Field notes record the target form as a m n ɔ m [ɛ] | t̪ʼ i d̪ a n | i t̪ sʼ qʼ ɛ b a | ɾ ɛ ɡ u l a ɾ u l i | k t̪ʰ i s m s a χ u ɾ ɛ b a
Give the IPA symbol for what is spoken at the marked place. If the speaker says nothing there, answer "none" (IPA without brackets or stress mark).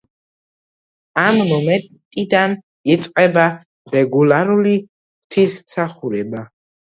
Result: ɛ